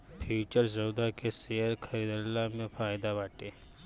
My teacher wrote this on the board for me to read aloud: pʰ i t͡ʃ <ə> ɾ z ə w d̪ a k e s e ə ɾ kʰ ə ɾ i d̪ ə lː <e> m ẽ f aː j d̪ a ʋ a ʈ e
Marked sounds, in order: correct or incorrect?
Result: correct, incorrect: a

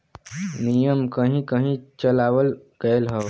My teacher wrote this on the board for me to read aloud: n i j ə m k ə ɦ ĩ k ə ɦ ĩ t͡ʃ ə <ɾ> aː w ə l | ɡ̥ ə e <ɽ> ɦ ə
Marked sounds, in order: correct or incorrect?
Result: incorrect: l, incorrect: l

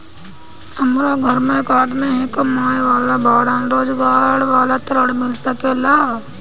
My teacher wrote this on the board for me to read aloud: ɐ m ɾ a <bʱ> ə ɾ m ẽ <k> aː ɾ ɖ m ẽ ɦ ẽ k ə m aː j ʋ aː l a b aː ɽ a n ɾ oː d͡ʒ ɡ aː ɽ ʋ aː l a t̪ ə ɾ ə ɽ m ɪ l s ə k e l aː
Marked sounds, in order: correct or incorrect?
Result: incorrect: ɡʱ, correct

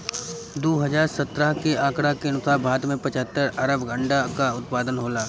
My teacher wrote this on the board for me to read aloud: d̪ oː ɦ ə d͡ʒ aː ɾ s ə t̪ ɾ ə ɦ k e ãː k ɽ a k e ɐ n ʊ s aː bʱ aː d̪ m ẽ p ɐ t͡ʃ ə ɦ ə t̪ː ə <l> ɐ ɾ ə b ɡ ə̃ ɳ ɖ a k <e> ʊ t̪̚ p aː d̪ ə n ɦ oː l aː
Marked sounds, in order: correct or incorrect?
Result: incorrect: ɾ, incorrect: a

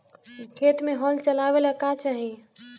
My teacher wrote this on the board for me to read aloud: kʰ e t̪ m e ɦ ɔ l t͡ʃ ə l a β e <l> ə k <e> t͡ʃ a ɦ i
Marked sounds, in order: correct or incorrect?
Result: correct, incorrect: a

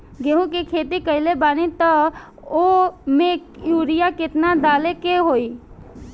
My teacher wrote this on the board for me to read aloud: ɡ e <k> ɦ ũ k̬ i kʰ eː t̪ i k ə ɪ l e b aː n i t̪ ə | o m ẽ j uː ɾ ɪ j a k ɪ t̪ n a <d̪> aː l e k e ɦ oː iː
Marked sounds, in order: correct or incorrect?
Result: incorrect: none, correct

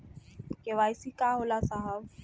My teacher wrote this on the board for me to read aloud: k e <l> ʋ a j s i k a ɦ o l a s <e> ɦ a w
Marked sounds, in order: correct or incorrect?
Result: incorrect: none, incorrect: a

